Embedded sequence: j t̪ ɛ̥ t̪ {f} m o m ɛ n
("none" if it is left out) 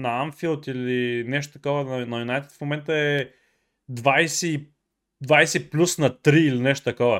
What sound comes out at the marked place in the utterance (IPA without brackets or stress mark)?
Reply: f